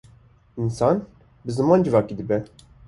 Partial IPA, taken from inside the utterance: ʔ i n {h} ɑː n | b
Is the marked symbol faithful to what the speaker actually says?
no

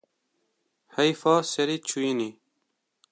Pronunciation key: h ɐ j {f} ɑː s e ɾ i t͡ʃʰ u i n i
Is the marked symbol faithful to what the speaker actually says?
yes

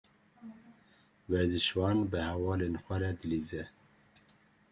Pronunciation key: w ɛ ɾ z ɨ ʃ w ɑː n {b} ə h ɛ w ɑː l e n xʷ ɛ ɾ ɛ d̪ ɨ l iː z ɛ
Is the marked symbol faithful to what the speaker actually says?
yes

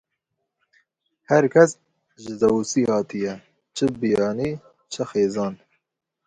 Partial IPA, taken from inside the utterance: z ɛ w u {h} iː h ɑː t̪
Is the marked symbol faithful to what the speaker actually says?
no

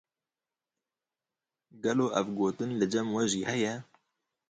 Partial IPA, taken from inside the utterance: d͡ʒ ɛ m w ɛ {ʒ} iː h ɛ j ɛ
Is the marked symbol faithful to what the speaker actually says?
yes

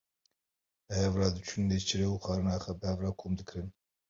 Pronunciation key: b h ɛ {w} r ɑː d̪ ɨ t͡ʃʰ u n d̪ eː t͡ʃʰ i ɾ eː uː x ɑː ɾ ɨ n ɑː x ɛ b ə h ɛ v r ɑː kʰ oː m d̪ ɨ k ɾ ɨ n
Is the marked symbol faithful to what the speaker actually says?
no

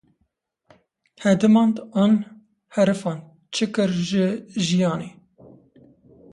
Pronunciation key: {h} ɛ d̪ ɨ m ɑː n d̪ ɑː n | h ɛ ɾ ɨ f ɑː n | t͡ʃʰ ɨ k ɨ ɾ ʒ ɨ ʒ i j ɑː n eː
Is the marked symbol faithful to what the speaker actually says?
yes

